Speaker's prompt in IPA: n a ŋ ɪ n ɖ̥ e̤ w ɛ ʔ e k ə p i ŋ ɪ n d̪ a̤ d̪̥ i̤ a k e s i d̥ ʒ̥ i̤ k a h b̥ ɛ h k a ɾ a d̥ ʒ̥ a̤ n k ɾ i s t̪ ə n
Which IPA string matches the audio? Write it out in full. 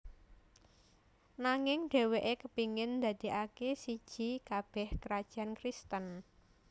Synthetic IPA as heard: n a ŋ ɪ ŋ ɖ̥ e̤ w e ʔ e k ə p i ŋ ɪ n d̪ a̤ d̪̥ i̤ a k e s i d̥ ʒ̥ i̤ k a b̥ ɛ h k ə ɾ a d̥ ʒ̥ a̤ n k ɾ i s t̪ ə n